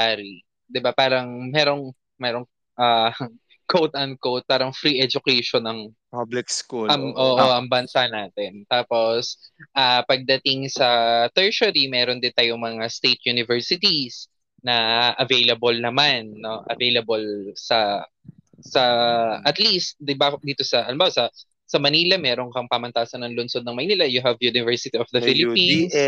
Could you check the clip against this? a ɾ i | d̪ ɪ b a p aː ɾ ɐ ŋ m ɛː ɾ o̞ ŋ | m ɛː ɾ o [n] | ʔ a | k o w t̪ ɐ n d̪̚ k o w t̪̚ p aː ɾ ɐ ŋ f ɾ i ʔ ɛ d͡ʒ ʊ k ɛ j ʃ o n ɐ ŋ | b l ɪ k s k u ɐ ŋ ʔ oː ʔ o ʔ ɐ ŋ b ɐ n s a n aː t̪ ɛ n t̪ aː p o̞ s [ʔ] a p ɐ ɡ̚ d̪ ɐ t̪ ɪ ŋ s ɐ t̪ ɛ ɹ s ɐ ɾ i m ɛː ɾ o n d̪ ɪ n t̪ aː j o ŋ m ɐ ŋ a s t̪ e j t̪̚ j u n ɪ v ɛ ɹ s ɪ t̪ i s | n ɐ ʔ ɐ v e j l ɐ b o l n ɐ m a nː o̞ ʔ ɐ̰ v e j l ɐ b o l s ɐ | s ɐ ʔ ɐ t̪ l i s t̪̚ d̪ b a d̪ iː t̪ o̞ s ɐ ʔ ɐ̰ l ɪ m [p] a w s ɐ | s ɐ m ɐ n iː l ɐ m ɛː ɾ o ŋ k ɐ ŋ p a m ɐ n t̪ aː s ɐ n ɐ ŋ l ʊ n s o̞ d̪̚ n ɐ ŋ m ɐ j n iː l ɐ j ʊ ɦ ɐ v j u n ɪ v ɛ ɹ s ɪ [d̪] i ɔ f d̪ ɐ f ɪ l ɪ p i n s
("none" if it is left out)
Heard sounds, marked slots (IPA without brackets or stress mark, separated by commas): ŋ, ʔ, b, t̪